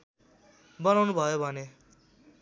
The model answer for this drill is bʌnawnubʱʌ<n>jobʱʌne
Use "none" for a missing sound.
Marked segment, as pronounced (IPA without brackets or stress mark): none